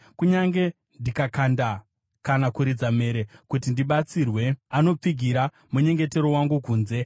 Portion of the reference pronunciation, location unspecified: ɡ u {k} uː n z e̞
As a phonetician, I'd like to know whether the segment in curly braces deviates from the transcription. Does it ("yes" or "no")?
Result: no